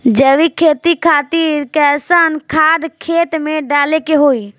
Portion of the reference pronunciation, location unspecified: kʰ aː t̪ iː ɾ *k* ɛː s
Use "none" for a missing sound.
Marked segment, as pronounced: k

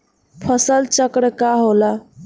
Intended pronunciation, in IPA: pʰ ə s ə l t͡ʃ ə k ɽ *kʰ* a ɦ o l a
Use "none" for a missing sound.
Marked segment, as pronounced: k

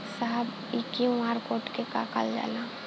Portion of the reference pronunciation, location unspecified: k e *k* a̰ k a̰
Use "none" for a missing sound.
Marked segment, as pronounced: k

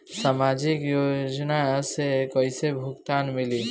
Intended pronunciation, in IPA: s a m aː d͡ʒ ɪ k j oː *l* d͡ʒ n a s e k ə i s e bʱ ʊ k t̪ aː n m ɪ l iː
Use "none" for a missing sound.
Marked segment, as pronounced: none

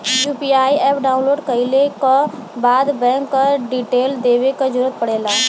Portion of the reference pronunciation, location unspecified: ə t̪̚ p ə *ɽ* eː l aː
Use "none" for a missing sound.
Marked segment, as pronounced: ɽ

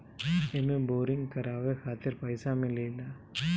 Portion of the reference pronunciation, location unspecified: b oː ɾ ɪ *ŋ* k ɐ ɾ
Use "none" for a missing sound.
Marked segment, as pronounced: ŋ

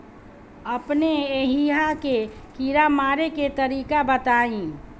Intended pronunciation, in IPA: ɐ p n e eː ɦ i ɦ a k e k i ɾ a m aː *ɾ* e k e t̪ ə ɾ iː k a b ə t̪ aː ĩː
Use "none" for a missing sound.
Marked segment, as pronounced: ɾ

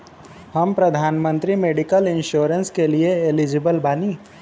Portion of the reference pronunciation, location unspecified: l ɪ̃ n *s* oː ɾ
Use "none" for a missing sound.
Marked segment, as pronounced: ʃ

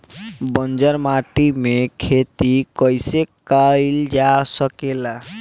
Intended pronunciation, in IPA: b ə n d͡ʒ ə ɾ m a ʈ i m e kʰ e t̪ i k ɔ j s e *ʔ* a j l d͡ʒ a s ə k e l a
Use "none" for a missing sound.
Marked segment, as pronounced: k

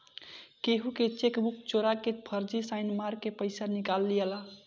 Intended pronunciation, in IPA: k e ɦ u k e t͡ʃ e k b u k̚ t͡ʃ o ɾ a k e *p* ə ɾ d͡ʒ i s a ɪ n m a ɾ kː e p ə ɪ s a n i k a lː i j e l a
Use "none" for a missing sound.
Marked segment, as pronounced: pʰ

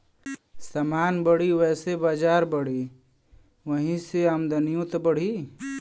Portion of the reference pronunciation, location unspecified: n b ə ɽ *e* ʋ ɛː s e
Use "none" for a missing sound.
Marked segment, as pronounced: i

